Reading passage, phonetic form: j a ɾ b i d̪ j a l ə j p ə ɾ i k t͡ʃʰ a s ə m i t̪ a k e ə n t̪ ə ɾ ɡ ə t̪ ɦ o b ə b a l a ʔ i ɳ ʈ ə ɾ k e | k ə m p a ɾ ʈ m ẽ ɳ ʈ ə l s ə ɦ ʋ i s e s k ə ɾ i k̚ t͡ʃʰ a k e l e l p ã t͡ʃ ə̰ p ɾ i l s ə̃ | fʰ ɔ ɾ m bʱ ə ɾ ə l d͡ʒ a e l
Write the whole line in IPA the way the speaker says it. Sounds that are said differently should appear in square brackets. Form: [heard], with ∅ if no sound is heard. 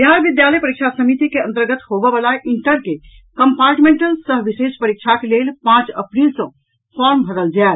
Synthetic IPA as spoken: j a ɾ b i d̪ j a l ə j p ə ɾ i k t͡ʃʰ a s ə m i t̪ [i] k e ə n t̪ ə ɾ ɡ ə t̪ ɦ o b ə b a l a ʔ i ɳ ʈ ə ɾ k e | k ə m p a ɾ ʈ m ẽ ɳ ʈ ə l s ə ɦ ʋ i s e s [p] ə ɾ i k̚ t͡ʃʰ a k e l e l p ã t͡ʃ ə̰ p ɾ i l s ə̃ | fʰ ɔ ɾ m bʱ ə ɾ ə l d͡ʒ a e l

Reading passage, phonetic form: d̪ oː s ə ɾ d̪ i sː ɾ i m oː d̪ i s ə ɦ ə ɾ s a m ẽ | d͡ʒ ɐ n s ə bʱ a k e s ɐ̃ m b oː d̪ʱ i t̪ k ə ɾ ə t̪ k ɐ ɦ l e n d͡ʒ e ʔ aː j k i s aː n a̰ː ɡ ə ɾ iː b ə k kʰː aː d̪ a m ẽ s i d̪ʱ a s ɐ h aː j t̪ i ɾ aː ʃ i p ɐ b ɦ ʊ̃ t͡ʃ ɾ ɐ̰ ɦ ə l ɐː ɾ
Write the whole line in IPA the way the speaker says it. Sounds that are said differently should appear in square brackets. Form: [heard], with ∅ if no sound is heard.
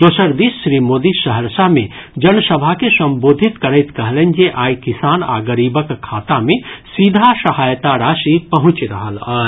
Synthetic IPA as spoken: d̪ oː s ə ɾ d̪ i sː ɾ i m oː d̪ i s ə ɦ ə ɾ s a m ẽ | d͡ʒ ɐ n s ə bʱ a k e s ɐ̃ m b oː d̪ʱ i t̪ k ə ɾ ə t̪ k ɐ ɦ l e n d͡ʒ e ʔ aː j k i s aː n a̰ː ɡ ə ɾ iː b ə k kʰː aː [t̪] a m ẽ s i d̪ʱ a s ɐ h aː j t̪ [a] ɾ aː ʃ i p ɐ [∅] ɦ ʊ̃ t͡ʃ ɾ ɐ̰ ɦ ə l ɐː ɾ

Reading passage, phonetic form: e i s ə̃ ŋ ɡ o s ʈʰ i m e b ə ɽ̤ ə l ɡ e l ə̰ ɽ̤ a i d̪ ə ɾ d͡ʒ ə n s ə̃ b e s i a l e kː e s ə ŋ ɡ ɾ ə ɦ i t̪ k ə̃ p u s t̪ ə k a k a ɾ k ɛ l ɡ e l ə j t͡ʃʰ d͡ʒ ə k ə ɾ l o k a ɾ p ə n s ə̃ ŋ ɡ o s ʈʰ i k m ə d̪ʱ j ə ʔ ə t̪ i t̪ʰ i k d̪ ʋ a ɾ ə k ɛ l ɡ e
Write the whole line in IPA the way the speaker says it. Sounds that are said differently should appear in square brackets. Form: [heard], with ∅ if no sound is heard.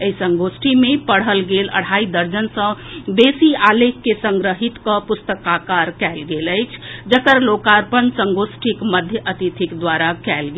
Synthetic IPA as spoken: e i s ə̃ ŋ ɡ o s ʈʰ i m e [p] ə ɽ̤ ə l ɡ e l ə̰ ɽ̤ a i d̪ ə ɾ d͡ʒ ə n s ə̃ b e s i a l e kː e s ə ŋ ɡ ɾ ə ɦ i t̪ k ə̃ p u s t̪ ə k a k a ɾ k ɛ l ɡ e l ə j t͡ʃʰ d͡ʒ ə k ə ɾ l o k a ɾ p ə n s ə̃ ŋ ɡ o s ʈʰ i k m ə d̪ʱ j ə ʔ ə t̪ i t̪ʰ i k d̪ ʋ a ɾ [a] k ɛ l ɡ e

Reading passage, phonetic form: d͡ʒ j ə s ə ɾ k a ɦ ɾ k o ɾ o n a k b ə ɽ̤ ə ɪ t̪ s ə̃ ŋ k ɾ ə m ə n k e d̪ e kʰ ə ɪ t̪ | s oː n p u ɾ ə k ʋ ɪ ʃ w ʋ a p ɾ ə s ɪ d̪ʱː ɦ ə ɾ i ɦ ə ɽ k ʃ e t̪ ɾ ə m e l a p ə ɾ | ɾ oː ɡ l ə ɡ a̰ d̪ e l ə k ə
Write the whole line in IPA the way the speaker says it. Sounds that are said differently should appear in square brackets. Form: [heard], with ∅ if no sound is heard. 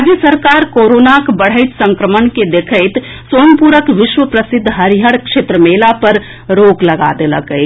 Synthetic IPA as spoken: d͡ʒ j ə s ə ɾ k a [∅] ɾ k o ɾ o n a k b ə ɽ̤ ə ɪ t̪ s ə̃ ŋ k ɾ ə m ə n k e d̪ e kʰ ə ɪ t̪ | s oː n p u ɾ ə k ʋ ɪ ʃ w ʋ [ə] p ɾ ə s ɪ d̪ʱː ɦ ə ɾ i ɦ ə ɽ k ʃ e t̪ ɾ ə m e l a p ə ɾ | ɾ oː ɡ l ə ɡ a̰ d̪ e l ə k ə

